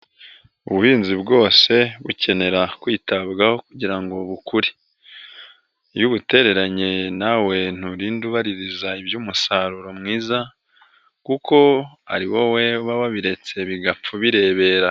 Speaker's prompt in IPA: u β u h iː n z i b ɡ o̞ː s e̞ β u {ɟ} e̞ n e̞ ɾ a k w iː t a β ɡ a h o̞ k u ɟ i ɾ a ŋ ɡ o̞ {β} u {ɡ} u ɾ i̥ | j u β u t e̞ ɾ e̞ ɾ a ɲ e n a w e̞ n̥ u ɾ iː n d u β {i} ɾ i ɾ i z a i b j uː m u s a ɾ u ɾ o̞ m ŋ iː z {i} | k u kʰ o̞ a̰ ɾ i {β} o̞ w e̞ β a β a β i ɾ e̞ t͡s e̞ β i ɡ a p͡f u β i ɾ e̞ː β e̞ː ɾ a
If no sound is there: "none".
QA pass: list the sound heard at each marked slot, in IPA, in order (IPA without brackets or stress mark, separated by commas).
c, β, k, a, a, w